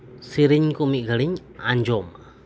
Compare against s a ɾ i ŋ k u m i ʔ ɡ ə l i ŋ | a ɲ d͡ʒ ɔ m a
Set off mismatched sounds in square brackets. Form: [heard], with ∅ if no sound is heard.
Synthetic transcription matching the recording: s [i] ɾ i [ɲ] k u m i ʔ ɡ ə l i [ɲ] | a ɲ d͡ʒ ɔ m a